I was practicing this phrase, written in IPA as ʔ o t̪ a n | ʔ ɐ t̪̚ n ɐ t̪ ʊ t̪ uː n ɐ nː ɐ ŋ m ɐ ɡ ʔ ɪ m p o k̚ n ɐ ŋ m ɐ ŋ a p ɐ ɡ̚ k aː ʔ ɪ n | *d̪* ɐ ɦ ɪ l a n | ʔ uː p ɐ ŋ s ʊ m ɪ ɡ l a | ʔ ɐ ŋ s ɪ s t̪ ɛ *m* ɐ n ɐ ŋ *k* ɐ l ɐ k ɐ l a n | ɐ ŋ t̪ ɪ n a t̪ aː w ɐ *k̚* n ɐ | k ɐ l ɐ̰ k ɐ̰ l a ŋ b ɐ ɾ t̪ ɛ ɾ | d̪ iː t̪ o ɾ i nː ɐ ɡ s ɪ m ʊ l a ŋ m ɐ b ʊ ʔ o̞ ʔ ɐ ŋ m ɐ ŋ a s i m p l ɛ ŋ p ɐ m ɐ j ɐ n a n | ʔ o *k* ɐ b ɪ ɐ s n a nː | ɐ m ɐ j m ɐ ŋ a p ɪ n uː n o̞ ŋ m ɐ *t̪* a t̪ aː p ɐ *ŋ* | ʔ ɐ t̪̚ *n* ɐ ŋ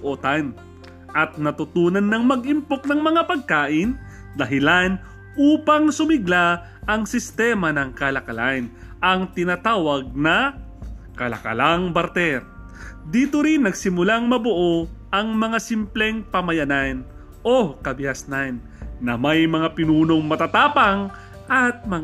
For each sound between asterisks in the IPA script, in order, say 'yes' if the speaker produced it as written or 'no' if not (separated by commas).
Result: yes, yes, yes, no, yes, yes, yes, no